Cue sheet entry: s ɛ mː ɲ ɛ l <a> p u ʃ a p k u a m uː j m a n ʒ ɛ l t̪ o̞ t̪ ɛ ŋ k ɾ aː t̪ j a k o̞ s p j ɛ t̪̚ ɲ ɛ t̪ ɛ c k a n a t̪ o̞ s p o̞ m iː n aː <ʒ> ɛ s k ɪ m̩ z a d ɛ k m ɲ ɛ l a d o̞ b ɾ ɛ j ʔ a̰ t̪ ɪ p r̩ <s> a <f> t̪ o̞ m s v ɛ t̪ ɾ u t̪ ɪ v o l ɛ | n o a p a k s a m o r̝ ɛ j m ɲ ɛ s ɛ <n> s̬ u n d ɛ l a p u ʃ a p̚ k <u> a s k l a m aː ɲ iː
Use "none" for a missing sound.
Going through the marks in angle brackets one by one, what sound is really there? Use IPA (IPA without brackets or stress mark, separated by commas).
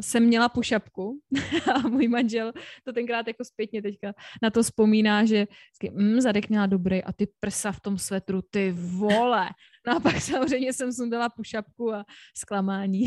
a, ʒ, s, f, m, u